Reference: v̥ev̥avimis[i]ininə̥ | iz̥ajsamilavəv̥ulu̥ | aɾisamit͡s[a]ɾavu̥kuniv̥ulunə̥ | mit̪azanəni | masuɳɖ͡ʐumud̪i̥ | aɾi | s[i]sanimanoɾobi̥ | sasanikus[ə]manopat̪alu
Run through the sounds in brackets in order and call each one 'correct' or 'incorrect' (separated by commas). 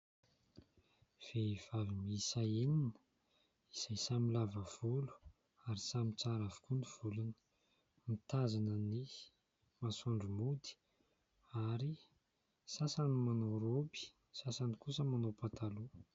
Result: incorrect, correct, incorrect, correct